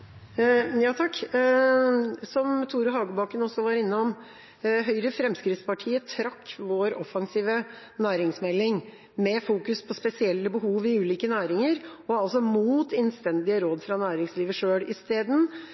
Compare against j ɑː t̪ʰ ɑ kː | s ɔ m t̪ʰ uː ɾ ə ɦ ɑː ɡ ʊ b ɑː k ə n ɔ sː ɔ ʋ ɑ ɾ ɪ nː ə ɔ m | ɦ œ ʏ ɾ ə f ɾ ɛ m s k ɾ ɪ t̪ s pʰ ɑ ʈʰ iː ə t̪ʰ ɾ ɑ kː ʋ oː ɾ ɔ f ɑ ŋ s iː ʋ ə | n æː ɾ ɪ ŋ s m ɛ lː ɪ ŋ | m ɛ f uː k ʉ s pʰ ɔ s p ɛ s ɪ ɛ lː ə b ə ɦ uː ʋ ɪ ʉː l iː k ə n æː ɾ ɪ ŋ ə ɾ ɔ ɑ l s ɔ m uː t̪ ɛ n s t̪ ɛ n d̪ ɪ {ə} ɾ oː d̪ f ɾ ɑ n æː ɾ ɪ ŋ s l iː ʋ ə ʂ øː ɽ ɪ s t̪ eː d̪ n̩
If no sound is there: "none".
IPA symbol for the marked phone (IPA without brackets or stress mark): ə